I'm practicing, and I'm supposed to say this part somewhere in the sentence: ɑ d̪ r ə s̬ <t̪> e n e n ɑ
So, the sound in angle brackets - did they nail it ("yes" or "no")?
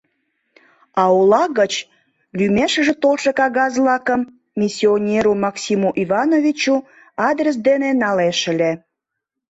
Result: no